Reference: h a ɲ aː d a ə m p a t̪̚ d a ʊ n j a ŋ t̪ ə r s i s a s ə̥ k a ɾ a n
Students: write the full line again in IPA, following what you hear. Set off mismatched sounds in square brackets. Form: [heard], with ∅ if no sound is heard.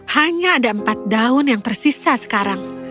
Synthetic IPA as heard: h a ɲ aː d a ə m p a t̪̚ d a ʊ n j a ŋ t̪ ə r s i s a s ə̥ k a ɾ a [ŋ]